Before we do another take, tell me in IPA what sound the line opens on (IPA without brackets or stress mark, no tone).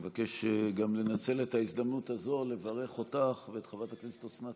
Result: v